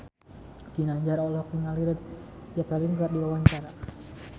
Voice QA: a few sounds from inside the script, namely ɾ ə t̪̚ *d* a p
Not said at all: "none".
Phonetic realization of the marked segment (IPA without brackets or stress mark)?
d͡ʒ